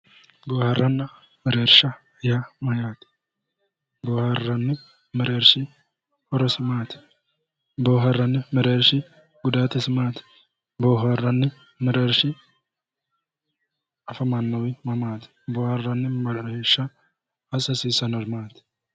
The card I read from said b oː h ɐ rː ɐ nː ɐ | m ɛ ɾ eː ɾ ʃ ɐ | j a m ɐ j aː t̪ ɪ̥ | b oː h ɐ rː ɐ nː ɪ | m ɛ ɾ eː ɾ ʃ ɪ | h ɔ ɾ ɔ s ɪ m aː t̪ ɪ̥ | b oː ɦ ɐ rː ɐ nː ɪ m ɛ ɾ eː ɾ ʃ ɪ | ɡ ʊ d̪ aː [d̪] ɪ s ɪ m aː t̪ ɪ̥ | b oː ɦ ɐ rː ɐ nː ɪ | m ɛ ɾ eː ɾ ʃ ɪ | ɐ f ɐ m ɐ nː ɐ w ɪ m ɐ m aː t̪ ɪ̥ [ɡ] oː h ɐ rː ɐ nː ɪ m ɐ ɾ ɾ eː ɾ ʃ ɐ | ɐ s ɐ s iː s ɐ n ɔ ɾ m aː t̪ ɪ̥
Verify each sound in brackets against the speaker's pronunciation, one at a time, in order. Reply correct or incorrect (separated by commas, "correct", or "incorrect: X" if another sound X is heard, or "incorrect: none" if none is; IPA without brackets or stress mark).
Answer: incorrect: t̪, incorrect: b